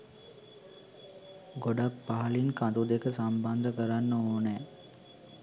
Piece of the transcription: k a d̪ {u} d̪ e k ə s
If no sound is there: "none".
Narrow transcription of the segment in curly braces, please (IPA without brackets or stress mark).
u